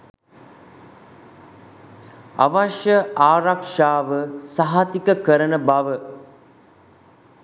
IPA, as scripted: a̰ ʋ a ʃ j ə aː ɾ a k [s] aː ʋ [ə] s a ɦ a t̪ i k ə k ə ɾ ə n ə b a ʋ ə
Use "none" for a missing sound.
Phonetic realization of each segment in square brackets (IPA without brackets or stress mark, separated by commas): ʂ, ə